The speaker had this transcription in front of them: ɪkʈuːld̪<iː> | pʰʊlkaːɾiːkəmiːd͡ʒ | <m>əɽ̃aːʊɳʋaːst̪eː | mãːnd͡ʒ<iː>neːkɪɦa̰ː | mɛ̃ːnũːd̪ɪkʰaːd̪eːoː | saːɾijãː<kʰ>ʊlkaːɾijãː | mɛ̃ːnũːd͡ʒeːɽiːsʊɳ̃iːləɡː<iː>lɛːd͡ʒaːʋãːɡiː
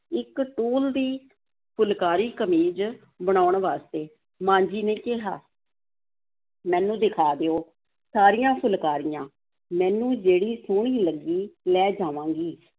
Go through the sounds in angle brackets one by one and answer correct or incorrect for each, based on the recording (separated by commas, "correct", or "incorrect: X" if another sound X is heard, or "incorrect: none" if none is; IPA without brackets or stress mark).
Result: correct, incorrect: b, correct, incorrect: pʰ, correct